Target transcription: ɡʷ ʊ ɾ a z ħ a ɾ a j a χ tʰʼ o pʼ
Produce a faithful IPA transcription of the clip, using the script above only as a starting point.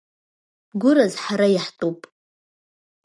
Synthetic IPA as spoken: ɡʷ ʊ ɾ a z ħ a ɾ a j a ħ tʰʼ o pʼ